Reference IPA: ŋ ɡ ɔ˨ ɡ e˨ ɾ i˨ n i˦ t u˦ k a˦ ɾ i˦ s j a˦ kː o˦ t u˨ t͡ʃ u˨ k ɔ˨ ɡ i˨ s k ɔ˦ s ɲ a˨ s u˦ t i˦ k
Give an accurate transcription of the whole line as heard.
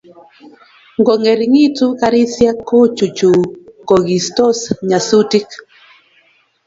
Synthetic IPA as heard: ŋ ɡ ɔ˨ ŋ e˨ ɾ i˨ ŋ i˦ t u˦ k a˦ ɾ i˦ s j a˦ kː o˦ t͡ʃ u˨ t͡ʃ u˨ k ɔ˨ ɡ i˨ s t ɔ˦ s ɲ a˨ s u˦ t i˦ k